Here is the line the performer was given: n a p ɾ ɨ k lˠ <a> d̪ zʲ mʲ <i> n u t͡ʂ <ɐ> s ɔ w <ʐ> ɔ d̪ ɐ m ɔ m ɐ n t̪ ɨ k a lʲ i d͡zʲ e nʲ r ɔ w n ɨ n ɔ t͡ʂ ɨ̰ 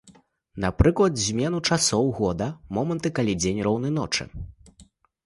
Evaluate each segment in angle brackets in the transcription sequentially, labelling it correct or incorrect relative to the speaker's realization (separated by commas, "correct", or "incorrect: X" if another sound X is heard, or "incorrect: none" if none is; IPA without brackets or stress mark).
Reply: incorrect: ɐ, incorrect: ɛ, incorrect: a, incorrect: ɣ